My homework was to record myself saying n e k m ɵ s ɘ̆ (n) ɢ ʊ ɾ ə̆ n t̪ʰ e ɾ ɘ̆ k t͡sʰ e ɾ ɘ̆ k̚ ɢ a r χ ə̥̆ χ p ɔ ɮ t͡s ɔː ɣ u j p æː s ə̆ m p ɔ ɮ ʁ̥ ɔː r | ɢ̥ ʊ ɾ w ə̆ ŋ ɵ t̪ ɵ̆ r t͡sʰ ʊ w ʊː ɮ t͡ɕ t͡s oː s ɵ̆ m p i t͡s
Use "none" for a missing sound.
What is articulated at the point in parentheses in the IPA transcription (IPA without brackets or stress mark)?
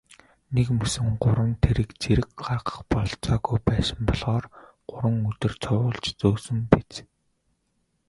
ŋ